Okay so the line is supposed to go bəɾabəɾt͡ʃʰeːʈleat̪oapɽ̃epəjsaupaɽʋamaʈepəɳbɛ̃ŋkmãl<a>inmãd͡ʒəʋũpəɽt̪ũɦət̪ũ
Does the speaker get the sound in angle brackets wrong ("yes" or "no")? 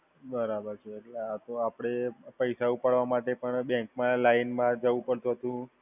no